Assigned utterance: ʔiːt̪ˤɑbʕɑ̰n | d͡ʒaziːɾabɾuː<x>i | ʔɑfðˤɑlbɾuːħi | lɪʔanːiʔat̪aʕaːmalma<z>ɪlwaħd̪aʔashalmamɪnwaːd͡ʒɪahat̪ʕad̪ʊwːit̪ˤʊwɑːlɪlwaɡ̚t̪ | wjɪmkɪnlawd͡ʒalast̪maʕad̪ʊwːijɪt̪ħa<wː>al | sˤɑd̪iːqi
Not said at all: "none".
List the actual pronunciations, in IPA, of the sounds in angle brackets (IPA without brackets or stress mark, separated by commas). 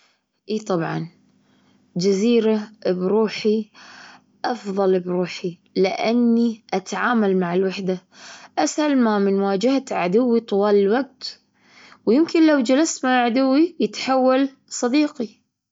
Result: ħ, ʕ, wː